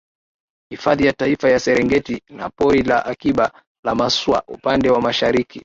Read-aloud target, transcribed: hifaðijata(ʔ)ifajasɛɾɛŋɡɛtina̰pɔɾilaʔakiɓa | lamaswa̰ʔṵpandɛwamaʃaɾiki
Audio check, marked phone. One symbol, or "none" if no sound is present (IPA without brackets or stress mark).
none